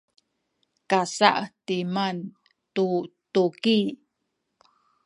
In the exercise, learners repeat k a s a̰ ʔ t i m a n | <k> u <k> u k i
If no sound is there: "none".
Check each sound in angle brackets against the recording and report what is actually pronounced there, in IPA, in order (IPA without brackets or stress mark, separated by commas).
t, t